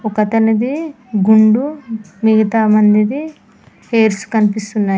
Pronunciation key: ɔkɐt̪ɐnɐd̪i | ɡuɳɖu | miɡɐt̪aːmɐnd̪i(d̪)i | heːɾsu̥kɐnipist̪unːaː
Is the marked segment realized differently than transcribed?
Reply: no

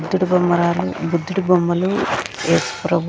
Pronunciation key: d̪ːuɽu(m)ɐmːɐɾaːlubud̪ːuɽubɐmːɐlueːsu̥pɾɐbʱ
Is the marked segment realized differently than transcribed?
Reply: yes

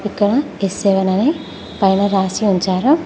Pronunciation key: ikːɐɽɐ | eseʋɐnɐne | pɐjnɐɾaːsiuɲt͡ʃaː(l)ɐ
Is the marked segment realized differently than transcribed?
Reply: yes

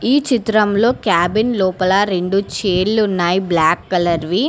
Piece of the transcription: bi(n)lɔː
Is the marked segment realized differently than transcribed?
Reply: no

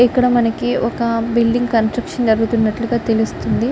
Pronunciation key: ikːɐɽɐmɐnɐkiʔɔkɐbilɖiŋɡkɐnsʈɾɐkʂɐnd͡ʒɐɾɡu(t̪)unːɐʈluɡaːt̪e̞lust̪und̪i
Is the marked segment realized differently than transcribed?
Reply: no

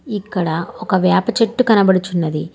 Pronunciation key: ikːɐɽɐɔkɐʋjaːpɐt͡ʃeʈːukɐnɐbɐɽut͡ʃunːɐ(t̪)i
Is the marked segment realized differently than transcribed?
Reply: yes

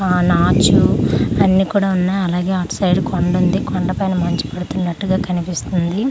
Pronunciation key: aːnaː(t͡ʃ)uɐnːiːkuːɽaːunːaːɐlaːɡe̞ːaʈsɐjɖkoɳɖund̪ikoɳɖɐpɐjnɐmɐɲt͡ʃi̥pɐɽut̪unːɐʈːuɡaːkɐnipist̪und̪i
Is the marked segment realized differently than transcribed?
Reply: no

